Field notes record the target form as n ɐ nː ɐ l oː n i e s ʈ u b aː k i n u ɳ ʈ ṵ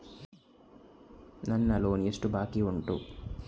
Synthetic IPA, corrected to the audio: n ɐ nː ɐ l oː n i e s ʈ u b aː k i u ɳ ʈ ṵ